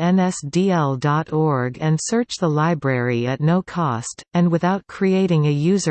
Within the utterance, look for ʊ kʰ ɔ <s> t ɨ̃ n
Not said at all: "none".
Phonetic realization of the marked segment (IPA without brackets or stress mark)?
s